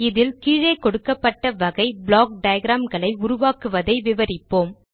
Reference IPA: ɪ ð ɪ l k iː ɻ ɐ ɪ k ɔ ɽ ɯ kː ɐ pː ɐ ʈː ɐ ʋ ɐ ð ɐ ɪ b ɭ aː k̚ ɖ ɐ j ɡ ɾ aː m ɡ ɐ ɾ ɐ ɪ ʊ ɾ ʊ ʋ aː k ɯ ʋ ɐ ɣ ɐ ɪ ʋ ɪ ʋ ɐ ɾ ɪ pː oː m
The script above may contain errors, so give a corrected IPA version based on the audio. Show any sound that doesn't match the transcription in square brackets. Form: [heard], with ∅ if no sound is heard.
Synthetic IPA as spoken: ɪ ð ɪ l k iː ɻ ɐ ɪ k ɔ ɽ ɯ kː ɐ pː ɐ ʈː ɐ ʋ ɐ [ɣ] ɐ ɪ b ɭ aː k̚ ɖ ɐ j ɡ ɾ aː m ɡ ɐ [ɭ] ɐ ɪ ʊ ɾ ʊ ʋ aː k ɯ ʋ ɐ [ð] ɐ ɪ ʋ ɪ ʋ ɐ ɾ ɪ pː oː m